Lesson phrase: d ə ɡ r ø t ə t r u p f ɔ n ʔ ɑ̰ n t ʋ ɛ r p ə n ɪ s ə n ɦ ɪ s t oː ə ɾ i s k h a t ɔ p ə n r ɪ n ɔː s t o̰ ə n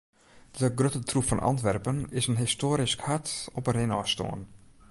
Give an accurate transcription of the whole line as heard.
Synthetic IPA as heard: d ə ɡ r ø t ə t r u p f ɔ n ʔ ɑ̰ n t ʋ ɛ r p ə n ɪ s ə n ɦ ɪ s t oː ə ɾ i s k h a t ɔ p ə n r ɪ n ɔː s t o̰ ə n